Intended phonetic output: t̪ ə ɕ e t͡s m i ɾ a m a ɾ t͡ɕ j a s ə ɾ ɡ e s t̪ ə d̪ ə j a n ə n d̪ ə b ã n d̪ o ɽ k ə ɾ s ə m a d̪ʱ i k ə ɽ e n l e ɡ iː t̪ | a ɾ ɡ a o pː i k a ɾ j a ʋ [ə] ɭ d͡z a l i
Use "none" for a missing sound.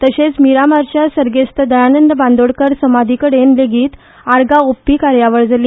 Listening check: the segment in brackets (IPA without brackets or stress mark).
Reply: ə